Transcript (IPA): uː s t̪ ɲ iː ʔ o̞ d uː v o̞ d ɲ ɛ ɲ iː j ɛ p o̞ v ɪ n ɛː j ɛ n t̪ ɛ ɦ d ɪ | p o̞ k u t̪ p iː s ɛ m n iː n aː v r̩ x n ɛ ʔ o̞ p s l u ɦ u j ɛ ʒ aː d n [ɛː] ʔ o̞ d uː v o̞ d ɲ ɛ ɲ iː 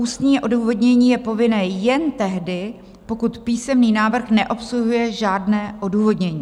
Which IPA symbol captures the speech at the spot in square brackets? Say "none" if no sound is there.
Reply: ɛː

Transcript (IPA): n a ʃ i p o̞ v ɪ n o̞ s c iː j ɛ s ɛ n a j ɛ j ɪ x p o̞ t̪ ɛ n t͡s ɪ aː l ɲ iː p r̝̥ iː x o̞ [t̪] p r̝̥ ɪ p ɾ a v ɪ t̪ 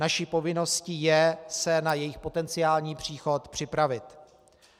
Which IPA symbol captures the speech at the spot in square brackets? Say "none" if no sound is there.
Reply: t̪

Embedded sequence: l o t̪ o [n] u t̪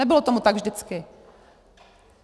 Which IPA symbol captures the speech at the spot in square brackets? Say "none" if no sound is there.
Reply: m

